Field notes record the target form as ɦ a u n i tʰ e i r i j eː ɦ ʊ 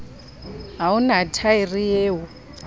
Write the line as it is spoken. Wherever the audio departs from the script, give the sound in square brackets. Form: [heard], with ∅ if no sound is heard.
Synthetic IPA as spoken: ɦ a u n [a] tʰ [a] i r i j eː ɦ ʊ